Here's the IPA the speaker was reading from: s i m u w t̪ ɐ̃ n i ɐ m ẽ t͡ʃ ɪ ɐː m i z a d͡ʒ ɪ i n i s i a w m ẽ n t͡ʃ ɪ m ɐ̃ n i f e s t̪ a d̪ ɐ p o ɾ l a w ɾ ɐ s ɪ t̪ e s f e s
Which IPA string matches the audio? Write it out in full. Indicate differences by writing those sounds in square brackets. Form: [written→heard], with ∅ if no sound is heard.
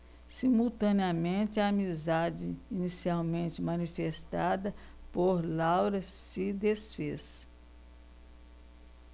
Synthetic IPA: s i m u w t̪ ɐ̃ n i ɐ m ẽ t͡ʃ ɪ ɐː m i z a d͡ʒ ɪ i n i s i a w m ẽ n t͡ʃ ɪ m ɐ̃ n i f e s t̪ a d̪ ɐ p o ɾ l a w ɾ ɐ s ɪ [t̪→d̪] e s f e s